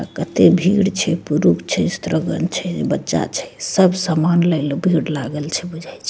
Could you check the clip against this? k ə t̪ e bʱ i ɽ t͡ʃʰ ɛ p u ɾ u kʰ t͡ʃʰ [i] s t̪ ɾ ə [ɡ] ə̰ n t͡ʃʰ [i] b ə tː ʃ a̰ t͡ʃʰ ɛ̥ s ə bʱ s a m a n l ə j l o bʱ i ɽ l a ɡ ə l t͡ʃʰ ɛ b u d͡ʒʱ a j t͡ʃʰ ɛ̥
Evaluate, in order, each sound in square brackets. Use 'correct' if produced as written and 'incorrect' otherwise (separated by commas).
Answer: incorrect, correct, incorrect